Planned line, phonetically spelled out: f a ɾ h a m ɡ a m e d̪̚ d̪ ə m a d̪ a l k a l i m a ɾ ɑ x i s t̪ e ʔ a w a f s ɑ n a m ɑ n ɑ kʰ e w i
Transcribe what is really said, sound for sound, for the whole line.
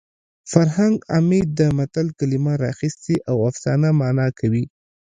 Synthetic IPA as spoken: f a ɾ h a ŋ ɡ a m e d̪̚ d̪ ə m a t̪ a l k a l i m a ɾ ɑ x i s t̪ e ʔ a w a f s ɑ n a m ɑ n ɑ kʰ a w i